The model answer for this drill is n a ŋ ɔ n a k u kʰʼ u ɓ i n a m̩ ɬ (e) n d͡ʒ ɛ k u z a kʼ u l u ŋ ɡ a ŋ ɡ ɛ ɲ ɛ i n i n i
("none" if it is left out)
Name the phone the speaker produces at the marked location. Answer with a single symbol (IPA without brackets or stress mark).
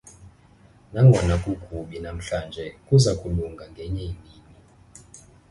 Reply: a